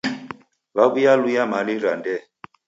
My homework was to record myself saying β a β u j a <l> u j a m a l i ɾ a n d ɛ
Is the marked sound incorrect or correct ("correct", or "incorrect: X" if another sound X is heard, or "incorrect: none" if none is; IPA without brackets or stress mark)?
correct